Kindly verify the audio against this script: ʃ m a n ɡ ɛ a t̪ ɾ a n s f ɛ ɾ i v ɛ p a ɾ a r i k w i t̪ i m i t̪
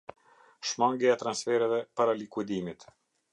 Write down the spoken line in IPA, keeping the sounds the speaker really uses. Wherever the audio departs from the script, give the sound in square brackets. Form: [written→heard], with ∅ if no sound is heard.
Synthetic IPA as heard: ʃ m a [n→ŋ] ɡ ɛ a t̪ ɾ a n s f ɛ ɾ [i→ɛ] v ɛ p a ɾ a [r→l] i k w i [t̪→d̪] i m i t̪